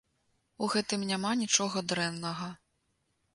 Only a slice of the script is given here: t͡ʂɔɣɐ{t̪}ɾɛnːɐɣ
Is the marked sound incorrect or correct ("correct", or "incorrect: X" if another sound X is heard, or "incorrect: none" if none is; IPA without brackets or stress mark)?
incorrect: d̪